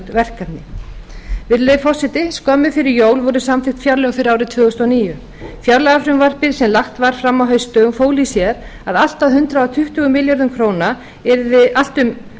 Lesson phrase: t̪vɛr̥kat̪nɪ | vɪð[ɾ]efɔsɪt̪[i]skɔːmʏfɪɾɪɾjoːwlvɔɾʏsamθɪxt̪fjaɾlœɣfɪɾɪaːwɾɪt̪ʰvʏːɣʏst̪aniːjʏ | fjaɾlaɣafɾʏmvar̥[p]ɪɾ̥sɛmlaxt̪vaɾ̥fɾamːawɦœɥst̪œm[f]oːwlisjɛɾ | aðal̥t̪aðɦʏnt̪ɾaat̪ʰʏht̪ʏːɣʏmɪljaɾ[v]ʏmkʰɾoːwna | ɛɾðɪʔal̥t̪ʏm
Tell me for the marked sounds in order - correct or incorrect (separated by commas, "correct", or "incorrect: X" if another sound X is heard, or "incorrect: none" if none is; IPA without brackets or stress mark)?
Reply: incorrect: l, incorrect: ɪ, correct, correct, incorrect: ð